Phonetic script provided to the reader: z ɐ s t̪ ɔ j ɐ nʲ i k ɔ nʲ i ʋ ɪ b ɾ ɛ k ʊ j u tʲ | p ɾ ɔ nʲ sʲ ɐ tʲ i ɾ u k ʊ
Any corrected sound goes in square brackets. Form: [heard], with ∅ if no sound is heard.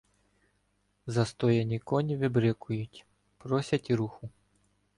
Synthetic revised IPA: z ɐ s t̪ ɔ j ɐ nʲ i k ɔ nʲ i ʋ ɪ b ɾ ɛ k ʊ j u tʲ | p ɾ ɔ [∅] sʲ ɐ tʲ i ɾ u [x] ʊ